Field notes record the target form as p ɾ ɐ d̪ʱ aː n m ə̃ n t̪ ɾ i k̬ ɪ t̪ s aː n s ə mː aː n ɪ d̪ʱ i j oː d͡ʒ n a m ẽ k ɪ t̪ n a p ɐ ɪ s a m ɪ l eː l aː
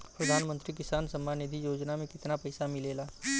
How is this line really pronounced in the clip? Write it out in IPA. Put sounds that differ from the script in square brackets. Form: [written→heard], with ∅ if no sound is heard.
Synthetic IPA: p ɾ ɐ d̪ʱ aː n m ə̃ n t̪ ɾ i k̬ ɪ [t̪→∅] s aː n s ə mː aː n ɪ d̪ʱ i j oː d͡ʒ n a m ẽ k ɪ t̪ n a p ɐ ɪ s a m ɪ l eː l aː